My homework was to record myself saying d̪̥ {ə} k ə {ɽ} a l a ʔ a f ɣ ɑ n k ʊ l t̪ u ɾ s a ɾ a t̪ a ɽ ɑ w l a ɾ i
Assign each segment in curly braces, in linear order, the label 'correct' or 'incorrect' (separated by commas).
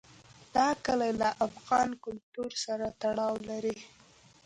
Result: incorrect, incorrect